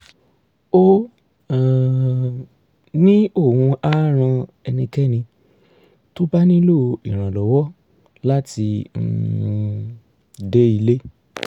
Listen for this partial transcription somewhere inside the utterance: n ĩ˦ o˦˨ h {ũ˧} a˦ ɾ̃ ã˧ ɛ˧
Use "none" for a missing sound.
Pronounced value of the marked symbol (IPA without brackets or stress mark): ũ˧